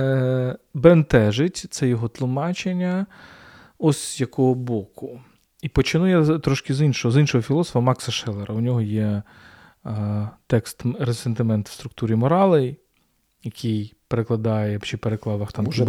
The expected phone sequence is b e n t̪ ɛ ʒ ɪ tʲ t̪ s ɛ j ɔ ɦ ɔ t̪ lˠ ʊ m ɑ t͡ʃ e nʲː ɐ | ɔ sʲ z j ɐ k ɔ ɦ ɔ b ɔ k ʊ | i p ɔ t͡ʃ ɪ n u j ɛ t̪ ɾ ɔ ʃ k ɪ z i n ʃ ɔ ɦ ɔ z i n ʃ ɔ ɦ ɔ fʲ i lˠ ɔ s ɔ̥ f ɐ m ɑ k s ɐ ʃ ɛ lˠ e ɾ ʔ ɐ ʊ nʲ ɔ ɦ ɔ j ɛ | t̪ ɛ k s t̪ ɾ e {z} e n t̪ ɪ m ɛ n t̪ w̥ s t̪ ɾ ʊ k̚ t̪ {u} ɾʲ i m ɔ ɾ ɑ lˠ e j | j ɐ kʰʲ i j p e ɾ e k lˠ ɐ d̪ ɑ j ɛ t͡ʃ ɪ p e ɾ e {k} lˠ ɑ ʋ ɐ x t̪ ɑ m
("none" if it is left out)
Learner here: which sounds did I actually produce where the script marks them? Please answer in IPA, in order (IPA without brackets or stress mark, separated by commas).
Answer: s, u, k